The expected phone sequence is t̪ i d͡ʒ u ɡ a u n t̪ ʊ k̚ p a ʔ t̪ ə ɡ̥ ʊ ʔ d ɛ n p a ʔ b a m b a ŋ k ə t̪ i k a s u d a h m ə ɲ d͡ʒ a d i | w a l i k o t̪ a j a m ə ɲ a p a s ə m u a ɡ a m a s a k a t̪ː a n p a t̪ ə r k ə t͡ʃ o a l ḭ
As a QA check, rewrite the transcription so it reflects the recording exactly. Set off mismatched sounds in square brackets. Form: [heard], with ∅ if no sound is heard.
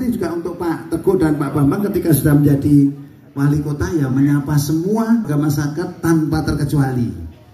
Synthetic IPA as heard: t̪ i d͡ʒ u ɡ a u n t̪ ʊ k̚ p a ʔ t̪ ə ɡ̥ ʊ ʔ d [a] n p a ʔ b a m b a ŋ k ə t̪ i k a s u d a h m ə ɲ d͡ʒ a d i | w a l i k o t̪ a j a m ə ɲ a p a s ə m u a ɡ a m a s a k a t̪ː a n p a t̪ ə r k ə t͡ʃ [u] a l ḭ